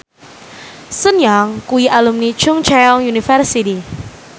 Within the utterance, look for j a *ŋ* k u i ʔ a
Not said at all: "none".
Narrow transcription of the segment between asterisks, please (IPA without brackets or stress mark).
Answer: ŋ